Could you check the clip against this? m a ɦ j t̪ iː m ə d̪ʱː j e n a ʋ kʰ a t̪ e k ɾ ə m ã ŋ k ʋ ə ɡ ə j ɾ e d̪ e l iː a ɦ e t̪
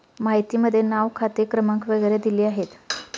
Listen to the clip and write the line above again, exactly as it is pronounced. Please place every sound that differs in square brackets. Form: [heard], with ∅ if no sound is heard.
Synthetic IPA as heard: m a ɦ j t̪ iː m ə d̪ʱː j e n a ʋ kʰ a t̪ e k ɾ ə m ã ŋ k ʋ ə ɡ ə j ɾ e d̪ [i] l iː a ɦ e t̪